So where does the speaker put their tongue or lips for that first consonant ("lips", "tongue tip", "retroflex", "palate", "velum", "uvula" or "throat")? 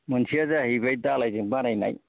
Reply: lips